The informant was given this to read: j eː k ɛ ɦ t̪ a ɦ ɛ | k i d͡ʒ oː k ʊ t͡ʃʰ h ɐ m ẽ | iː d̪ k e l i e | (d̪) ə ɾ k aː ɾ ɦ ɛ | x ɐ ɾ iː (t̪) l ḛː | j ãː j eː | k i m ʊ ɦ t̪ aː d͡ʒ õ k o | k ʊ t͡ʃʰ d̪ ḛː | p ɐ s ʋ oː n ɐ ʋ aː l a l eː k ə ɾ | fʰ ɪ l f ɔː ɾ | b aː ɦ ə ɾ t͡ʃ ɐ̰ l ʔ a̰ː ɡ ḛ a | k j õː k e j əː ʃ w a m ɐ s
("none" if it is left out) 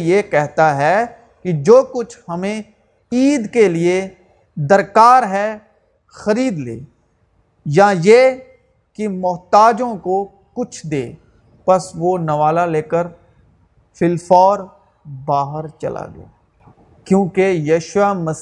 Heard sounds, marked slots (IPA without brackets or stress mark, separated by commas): d̪, d̪